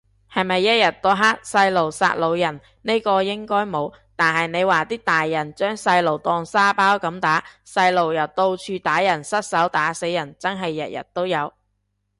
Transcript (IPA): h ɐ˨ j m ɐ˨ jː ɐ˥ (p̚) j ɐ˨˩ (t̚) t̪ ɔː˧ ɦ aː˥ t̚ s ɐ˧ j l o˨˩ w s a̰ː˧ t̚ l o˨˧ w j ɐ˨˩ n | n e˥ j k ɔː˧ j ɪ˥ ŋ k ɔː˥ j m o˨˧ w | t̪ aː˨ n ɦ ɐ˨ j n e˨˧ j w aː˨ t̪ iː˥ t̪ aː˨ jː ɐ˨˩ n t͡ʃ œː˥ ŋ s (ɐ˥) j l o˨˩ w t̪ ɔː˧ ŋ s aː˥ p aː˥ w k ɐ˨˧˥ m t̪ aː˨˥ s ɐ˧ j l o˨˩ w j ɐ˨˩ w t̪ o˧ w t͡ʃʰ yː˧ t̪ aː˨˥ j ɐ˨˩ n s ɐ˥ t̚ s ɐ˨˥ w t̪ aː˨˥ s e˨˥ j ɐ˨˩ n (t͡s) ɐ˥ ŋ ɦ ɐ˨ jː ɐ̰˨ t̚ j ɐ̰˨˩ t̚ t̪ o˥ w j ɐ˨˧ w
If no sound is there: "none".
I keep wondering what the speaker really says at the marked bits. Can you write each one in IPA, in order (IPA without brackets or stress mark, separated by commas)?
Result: t̚, t̚, ɐ˧, t͡s